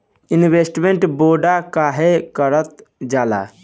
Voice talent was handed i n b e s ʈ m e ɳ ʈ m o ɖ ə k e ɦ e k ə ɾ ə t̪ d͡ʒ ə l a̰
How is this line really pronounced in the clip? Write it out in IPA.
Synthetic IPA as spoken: i n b e s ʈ m e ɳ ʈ b o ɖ a k a ɦ e k ə ɾ ə t̪ d͡ʒ a l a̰